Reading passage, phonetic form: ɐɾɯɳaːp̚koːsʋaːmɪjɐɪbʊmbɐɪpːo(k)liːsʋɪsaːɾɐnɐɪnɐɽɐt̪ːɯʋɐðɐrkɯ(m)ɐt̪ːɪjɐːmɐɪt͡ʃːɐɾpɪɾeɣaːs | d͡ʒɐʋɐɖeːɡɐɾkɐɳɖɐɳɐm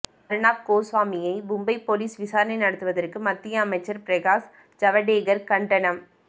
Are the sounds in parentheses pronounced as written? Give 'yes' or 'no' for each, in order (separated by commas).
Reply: no, yes